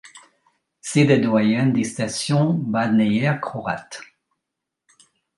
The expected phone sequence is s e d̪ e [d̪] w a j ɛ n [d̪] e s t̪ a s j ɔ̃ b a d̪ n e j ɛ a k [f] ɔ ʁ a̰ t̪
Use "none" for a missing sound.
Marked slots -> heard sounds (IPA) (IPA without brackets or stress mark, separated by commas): d̪, d̪, χ